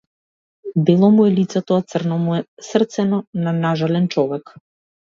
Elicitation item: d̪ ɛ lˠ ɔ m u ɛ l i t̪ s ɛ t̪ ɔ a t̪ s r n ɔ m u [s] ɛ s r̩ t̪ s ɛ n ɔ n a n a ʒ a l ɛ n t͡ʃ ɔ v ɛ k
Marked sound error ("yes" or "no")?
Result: yes